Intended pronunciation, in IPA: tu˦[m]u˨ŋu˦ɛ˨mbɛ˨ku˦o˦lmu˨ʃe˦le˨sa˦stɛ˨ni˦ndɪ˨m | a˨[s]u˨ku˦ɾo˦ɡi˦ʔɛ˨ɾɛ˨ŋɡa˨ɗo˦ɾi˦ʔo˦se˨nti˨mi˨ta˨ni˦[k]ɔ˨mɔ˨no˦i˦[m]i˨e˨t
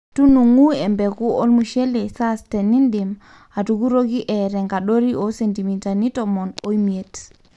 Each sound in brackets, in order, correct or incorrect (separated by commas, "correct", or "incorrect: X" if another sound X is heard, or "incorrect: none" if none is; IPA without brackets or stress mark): incorrect: n, incorrect: t, incorrect: t, correct